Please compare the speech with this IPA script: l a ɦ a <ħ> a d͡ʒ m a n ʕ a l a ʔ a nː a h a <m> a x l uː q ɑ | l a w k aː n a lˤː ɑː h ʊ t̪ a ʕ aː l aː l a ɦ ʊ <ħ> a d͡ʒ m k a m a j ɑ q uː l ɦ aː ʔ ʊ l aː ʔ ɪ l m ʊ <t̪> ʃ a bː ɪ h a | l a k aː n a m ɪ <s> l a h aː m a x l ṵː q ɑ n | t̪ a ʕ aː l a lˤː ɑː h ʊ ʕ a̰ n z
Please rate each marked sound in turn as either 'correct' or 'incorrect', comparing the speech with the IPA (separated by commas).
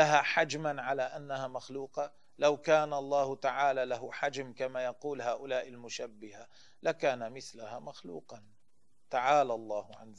correct, correct, correct, incorrect, incorrect